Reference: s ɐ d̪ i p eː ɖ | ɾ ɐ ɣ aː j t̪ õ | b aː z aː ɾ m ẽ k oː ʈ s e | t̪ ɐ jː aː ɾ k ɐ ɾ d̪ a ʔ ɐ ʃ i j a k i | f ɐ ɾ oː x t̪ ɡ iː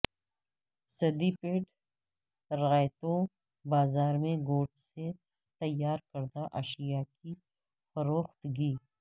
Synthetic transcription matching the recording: s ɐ d̪ i p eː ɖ | ɾ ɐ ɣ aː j t̪ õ | b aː z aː ɾ m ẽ ɡ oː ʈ s e | t̪ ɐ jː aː ɾ k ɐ ɾ d̪ a ʔ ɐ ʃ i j a k i | f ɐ ɾ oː x t̪ ɡ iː